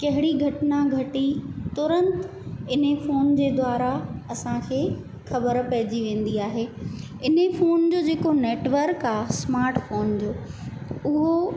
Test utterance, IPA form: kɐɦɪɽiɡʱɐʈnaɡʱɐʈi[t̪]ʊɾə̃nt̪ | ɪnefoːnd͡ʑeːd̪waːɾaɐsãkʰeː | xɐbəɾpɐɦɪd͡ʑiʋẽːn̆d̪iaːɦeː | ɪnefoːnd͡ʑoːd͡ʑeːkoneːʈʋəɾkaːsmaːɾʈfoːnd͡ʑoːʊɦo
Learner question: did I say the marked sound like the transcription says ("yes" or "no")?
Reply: yes